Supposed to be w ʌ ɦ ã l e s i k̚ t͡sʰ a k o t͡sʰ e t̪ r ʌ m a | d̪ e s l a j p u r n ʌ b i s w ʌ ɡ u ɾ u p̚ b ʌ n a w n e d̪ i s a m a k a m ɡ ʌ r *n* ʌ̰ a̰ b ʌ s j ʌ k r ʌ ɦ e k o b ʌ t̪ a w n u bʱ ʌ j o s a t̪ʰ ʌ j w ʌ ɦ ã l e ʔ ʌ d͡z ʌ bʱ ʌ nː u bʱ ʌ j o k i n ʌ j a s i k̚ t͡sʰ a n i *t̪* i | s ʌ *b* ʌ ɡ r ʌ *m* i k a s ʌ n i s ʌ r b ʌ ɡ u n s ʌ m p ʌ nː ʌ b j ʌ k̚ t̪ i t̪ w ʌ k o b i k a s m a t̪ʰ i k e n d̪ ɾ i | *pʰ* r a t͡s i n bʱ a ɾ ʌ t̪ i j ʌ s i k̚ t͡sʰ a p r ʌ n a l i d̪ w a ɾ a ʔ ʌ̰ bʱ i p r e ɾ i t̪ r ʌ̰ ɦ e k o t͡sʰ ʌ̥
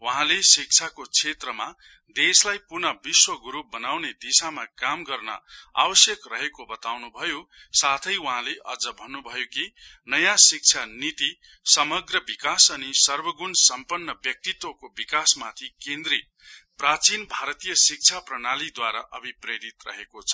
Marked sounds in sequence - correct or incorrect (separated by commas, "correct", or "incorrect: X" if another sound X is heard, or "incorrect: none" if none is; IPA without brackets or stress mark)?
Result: correct, correct, incorrect: m, incorrect: b, incorrect: p